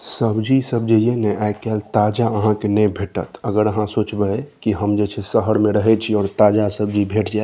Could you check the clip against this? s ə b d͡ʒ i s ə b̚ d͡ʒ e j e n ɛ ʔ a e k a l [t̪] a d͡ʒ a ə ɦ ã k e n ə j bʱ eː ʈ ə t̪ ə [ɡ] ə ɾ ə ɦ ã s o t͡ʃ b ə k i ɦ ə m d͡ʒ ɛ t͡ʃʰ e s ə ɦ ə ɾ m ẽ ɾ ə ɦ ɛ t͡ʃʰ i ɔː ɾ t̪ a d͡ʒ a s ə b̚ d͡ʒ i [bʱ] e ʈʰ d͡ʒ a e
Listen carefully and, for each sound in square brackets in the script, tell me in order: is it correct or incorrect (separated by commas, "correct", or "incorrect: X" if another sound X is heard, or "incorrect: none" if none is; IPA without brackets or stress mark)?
correct, correct, correct